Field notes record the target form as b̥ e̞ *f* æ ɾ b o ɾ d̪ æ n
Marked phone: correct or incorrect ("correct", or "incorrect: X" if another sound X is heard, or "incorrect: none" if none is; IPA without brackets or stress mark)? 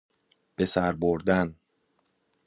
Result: incorrect: s